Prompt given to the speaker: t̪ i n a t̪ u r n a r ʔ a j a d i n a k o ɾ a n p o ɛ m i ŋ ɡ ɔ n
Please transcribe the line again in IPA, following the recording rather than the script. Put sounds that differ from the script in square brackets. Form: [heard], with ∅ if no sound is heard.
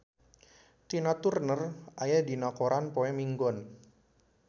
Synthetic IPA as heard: t̪ i n a t̪ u r n [ə] r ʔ a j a d i n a k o ɾ a n p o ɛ m i ŋ ɡ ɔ n